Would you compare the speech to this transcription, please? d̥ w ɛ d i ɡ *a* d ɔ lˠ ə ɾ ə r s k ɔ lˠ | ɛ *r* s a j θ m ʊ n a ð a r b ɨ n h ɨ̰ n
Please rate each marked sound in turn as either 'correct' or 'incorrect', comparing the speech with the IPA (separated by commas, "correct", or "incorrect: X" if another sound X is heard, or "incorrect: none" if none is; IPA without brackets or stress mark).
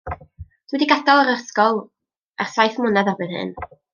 correct, correct